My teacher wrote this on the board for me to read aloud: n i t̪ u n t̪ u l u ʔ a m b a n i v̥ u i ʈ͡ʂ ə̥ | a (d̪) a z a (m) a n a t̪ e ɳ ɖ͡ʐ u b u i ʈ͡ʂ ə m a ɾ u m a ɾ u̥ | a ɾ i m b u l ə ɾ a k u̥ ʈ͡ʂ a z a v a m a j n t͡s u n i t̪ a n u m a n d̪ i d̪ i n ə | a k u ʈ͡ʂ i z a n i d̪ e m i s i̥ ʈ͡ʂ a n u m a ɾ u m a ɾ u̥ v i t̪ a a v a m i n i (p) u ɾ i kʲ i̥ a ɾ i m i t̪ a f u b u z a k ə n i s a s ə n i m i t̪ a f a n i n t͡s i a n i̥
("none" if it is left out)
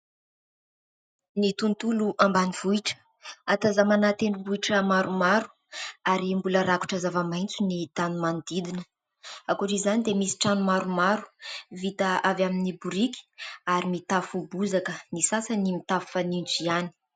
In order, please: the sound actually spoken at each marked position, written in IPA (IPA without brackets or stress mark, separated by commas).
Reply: t̪, m, b